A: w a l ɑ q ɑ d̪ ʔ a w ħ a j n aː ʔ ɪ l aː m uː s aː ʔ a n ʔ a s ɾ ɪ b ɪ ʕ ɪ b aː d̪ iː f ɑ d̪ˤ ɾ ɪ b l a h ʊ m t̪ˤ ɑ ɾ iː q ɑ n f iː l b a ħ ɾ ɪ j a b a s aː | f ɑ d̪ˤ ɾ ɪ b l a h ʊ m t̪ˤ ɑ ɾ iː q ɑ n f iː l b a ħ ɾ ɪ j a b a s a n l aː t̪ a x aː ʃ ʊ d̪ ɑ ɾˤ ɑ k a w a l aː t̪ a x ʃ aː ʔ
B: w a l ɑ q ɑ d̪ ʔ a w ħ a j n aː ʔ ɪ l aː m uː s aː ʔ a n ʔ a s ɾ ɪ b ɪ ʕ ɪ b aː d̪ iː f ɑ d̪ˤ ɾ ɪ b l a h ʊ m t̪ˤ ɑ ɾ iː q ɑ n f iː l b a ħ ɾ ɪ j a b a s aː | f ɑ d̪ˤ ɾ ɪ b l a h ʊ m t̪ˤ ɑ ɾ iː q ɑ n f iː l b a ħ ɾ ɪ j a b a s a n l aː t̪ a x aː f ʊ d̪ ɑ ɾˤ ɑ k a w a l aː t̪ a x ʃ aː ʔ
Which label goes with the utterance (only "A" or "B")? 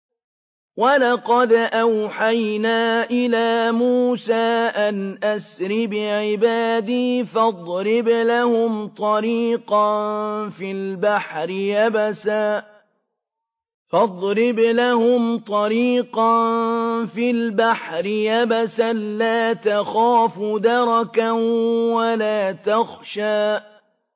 B